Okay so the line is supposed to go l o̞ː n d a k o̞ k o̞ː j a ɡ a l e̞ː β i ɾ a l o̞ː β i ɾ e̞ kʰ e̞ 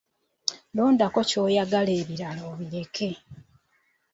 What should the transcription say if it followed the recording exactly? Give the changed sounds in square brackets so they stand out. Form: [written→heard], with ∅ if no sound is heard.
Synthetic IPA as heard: l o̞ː n d a k o̞ [k→c] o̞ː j a ɡ a l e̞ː β i ɾ a l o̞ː β i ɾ e̞ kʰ e̞